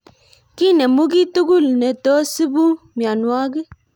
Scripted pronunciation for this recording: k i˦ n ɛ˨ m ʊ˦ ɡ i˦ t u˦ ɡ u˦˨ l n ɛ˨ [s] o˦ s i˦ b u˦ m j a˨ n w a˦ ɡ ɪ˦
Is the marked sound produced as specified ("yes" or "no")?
no